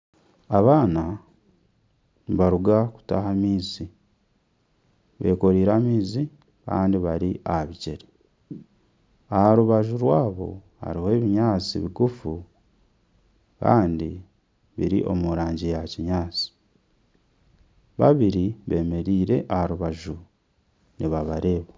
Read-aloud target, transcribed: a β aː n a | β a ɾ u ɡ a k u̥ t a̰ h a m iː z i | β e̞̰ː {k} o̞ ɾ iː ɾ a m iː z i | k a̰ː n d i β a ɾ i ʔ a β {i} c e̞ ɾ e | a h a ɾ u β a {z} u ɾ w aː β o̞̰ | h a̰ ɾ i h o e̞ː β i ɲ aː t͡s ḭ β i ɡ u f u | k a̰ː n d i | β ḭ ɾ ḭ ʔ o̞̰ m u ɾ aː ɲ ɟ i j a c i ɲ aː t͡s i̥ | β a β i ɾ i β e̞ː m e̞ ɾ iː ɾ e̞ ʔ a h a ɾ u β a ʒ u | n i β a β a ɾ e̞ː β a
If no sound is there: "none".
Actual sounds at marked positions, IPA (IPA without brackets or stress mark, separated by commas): k, i, ʒ